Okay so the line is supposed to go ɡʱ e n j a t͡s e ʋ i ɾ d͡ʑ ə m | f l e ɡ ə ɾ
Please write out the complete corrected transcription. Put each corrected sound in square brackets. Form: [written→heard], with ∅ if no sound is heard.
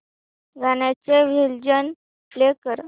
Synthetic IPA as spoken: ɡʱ [e→a] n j a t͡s e ʋ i [ɾ→l] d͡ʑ ə [m→n] | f l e [ɡ→k] ə ɾ